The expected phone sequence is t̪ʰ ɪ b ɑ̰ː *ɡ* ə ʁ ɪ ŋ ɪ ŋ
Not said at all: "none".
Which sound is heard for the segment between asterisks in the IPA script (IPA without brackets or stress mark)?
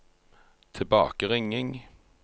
k